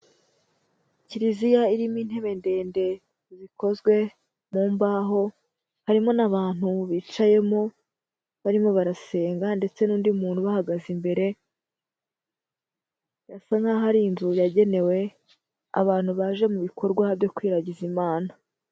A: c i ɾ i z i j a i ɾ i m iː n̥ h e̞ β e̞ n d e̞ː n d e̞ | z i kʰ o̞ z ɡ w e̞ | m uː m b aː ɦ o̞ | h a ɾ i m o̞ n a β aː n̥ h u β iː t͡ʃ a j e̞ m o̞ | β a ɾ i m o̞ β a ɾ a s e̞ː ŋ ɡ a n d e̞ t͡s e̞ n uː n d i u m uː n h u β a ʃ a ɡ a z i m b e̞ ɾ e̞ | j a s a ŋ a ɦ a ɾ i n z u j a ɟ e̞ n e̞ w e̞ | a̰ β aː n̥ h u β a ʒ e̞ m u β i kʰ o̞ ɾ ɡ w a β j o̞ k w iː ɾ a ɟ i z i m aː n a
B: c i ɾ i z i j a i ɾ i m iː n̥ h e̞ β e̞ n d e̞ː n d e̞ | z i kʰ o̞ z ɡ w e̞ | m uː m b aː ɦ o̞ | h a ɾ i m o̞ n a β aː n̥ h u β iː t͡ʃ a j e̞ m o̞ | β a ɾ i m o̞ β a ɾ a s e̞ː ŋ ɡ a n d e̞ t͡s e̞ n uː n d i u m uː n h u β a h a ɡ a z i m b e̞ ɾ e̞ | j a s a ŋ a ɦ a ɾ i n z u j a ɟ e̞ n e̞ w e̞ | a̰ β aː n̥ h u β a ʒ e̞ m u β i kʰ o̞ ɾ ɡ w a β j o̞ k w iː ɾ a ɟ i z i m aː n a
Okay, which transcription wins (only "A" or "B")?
B